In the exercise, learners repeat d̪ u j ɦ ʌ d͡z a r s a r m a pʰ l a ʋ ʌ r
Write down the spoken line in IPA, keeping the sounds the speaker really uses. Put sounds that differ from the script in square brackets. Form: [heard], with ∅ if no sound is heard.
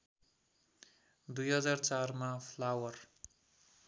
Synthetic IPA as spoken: d̪ u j ɦ ʌ d͡z a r [t͡s] a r m a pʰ l a [w] ʌ r